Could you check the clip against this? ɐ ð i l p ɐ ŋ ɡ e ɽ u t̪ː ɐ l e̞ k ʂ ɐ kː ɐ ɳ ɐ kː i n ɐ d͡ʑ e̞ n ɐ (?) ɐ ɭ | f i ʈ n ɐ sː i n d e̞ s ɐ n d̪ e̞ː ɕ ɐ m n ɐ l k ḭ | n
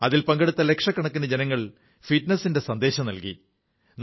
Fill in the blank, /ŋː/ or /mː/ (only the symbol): ŋː